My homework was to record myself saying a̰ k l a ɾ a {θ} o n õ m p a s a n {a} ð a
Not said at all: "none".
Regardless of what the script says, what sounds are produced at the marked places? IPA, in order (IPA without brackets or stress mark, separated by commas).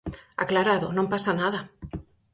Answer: ð, a